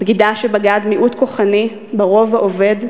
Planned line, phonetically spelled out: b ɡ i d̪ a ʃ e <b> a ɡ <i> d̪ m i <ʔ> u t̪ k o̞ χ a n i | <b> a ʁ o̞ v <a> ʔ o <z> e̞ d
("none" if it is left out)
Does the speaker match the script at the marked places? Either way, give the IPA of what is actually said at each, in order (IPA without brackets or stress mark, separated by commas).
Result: b, a, ʔ, b, a, v